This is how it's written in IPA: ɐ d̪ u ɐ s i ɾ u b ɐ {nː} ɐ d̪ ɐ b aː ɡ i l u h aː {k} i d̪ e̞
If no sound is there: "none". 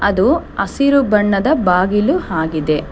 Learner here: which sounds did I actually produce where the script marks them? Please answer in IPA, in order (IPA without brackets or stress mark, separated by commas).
ɳː, ɡ